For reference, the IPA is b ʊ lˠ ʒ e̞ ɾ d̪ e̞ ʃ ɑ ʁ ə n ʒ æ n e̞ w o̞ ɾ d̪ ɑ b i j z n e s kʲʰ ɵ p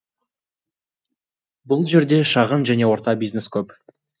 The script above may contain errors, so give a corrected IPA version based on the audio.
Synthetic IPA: b ʊ lˠ ʒ e̞ ɾ d̪ e̞ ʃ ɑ ʁ ə n ʒ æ n e̞ w o̞ ɾ t̪ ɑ b i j z n e s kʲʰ ɵ p